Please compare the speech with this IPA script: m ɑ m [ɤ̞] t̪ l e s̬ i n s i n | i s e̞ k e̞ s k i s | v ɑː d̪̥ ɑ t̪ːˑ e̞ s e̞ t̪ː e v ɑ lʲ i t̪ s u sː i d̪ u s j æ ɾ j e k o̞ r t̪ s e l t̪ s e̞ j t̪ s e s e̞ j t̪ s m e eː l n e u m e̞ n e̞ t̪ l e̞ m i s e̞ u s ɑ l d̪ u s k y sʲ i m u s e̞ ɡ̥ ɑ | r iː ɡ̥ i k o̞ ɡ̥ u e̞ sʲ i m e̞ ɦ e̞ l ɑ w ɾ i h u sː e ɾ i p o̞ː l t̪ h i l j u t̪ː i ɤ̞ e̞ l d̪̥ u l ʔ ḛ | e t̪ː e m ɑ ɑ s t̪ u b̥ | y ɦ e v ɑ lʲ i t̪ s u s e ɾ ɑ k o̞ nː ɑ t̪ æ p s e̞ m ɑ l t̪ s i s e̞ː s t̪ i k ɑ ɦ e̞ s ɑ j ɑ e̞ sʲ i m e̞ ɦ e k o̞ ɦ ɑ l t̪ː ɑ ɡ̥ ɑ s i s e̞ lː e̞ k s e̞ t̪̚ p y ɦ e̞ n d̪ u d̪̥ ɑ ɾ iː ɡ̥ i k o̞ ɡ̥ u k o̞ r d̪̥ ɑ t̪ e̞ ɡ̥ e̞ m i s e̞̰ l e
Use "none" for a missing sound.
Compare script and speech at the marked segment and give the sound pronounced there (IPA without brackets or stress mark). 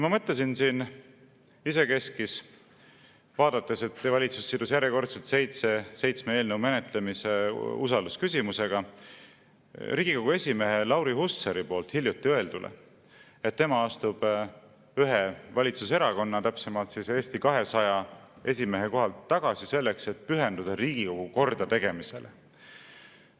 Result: ɤ̞